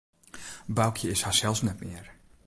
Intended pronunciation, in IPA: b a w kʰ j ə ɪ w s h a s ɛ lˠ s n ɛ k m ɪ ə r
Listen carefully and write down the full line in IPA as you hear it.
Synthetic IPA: b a w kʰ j ə ɪ s h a s ɛ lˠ s n ɛ t m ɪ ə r